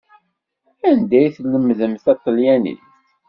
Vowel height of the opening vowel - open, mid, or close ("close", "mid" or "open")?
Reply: open